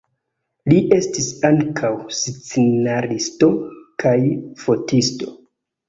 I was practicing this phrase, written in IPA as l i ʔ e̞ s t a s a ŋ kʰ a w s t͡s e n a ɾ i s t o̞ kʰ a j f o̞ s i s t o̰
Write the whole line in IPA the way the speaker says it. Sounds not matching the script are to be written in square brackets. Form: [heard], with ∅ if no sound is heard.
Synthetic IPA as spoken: l i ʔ e̞ s t [i] s a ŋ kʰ a w s t͡s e n a ɾ i s t o̞ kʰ a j f o̞ [t] i s t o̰